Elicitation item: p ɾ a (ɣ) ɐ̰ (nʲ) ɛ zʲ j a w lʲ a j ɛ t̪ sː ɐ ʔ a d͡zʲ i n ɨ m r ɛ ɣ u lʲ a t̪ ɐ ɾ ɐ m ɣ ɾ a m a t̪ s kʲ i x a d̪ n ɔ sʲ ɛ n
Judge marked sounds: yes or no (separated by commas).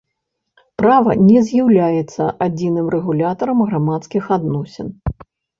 no, yes